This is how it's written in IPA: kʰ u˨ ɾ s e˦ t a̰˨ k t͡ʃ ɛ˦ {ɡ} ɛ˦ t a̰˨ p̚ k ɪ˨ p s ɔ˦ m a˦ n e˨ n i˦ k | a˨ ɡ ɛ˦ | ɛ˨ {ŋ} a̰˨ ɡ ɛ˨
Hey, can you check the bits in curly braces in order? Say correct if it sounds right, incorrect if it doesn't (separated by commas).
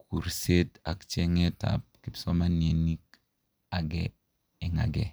incorrect, correct